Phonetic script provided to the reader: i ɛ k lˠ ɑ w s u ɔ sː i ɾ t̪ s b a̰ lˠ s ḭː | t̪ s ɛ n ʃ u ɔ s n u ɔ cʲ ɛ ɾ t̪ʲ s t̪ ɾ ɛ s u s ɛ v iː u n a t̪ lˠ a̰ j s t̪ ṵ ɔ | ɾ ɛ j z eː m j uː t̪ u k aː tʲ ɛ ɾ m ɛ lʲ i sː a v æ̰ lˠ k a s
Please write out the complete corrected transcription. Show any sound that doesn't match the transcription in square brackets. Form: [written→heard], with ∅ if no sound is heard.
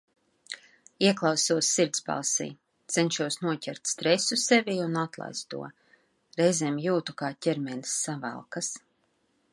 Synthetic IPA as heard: i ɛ k lˠ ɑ w s u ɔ sː i ɾ t̪ s b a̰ lˠ s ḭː | t̪ s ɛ n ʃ u ɔ s n u ɔ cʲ ɛ ɾ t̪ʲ s t̪ ɾ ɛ s u s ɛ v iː u n a t̪ lˠ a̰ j s t̪ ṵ ɔ | ɾ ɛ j z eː m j uː t̪ u k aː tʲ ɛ ɾ m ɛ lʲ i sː a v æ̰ lˠ k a s

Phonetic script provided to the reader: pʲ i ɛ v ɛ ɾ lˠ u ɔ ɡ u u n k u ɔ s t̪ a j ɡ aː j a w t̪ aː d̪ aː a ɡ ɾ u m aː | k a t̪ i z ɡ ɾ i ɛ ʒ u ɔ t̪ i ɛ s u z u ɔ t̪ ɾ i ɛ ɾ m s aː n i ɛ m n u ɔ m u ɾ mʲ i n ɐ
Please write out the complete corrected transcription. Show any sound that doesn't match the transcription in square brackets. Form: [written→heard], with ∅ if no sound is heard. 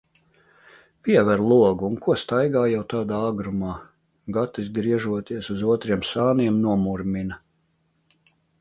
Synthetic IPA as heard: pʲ i ɛ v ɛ ɾ lˠ u ɔ ɡ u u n k u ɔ s t̪ a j ɡ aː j a w t̪ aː d̪ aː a ɡ ɾ u m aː | [k→ɡ] a t̪ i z ɡ ɾ i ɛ ʒ u ɔ t̪ i ɛ s u z u ɔ t̪ ɾ i ɛ [ɾ→∅] m s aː n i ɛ m n u ɔ m u ɾ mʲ i n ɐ

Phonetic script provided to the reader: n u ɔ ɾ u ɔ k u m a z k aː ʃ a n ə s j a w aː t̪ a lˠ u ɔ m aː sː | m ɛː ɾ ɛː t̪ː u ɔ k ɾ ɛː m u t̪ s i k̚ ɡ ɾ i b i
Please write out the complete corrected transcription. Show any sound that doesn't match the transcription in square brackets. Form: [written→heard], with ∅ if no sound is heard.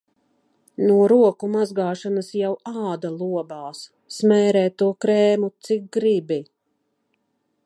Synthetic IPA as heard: n u ɔ ɾ u ɔ k u m a z [k→ɡ] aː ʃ a n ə s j a w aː [t̪→d̪] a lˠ u ɔ [m→b] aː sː | m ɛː ɾ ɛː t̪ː u ɔ k ɾ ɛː m u t̪ s i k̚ ɡ ɾ i b i

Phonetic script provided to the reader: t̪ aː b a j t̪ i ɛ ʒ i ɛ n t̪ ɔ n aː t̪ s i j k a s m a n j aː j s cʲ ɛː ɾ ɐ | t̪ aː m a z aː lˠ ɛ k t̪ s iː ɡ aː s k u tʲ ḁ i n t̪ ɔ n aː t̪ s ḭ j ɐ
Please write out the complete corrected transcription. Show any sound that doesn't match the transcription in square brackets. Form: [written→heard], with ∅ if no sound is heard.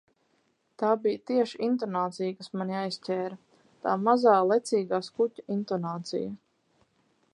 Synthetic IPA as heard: t̪ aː b [a→i] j t̪ i ɛ [ʒ→ʃ] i [ɛ→i] n t̪ ɔ n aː t̪ s i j k a s m a n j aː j s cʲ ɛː ɾ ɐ | t̪ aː m a z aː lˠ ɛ [k→∅] t̪ s iː ɡ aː s k u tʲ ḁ i n t̪ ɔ n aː t̪ s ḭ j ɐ

